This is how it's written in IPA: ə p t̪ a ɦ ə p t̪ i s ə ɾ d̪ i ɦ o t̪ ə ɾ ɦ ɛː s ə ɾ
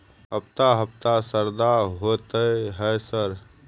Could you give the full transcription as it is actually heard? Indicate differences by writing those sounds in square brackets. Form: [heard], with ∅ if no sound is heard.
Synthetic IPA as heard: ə p t̪ a ɦ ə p t̪ [a] s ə ɾ d̪ [a] ɦ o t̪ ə [∅] ɦ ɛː s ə ɾ